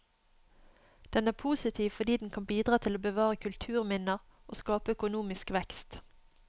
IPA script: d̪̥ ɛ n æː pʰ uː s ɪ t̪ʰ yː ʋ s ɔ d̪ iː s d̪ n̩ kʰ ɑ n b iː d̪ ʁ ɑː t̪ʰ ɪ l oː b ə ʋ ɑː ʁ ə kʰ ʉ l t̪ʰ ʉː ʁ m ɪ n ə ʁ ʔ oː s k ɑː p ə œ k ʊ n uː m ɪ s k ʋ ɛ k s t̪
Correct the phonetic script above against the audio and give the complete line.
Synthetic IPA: d̪̥ ɛ n æː pʰ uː s ɪ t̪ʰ iː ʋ f ɔ d̪ iː d̪ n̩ kʰ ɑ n b iː d̪ ʁ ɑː t̪ʰ ɪ l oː b ə ʋ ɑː ʁ ə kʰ ʉ l t̪ʰ ʉː ʁ m ɪ n ə ʁ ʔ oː s k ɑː p ə œ k ʊ n uː m ɪ s k ʋ ɛ k s t̪